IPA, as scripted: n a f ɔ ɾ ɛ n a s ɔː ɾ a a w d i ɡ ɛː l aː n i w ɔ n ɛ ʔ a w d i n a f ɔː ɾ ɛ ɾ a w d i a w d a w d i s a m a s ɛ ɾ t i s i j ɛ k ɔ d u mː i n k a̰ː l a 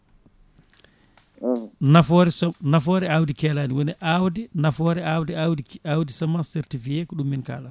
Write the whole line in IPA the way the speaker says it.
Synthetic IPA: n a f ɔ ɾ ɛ n a f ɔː ɾ ɛ a w d i k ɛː l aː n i w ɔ n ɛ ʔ a w d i n a f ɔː ɾ ɛ a w d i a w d a w d i s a m a s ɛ ɾ t i f i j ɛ k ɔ ɗ u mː i n k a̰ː l a